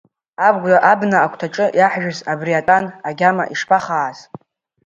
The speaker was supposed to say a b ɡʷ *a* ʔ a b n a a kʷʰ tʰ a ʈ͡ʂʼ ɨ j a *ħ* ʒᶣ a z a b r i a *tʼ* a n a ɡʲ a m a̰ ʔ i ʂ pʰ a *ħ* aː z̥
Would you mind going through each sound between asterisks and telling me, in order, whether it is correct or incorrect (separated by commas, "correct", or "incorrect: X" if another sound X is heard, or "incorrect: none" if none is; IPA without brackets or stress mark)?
correct, correct, correct, incorrect: χ